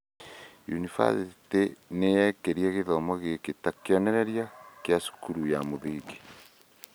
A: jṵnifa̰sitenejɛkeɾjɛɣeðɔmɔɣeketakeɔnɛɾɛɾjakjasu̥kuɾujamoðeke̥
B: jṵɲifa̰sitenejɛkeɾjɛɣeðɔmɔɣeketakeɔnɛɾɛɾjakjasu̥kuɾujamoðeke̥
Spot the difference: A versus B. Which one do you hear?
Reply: A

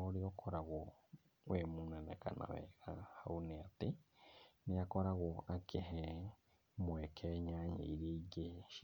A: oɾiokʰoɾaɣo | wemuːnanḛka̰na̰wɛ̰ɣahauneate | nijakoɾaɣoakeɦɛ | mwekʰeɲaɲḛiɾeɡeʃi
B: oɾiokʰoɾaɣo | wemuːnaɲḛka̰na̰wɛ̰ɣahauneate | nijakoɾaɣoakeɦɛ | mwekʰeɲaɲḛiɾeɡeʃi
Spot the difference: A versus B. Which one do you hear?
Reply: A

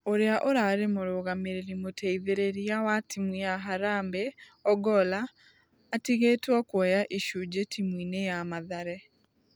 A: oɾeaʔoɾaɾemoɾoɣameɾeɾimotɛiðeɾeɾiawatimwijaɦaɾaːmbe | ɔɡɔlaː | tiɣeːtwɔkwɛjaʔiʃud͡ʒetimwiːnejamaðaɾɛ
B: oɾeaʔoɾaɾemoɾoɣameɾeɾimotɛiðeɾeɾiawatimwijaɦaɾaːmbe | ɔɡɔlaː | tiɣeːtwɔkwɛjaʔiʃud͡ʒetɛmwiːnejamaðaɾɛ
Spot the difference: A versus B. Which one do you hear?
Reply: A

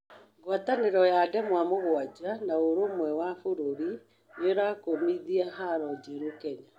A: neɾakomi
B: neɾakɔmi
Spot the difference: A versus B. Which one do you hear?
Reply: A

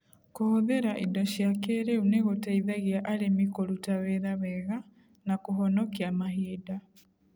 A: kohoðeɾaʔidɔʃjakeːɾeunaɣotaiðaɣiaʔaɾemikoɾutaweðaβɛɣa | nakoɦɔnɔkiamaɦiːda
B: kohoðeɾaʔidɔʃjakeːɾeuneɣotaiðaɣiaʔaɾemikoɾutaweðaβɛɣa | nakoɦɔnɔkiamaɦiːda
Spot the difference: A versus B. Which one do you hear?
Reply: B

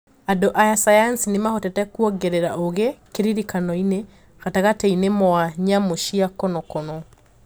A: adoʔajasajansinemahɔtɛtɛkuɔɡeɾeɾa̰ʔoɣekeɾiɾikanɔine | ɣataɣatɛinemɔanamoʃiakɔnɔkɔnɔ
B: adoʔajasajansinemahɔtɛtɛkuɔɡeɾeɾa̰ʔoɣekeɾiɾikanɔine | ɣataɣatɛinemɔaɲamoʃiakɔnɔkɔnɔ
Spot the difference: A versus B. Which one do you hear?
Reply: B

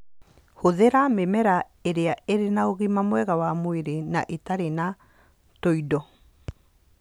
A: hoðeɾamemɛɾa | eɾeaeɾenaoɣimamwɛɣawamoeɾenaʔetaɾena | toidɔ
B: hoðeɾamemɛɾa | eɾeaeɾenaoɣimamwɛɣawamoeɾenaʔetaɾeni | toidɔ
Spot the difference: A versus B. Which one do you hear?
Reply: A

